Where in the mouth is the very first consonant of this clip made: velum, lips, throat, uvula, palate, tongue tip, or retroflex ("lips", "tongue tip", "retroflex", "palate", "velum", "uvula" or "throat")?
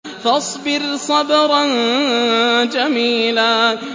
lips